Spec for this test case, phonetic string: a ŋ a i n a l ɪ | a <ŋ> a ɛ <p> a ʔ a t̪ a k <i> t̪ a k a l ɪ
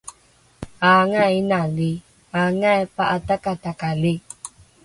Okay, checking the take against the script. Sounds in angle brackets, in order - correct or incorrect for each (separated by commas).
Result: correct, correct, incorrect